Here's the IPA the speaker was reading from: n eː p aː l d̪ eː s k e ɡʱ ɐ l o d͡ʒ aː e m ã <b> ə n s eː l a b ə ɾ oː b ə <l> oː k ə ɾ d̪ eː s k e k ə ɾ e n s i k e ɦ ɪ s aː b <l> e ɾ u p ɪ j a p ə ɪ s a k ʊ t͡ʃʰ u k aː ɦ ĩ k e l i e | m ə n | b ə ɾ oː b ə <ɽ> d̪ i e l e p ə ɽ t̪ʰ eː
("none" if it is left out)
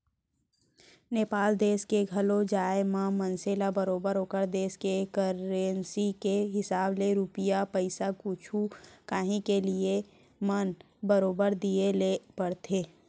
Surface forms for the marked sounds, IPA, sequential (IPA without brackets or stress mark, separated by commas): m, ɾ, l, ɾ